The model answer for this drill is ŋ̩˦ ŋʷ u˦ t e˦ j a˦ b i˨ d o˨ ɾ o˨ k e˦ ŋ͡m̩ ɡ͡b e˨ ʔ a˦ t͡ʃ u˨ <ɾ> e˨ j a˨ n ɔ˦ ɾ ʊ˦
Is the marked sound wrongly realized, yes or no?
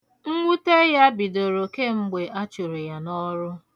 no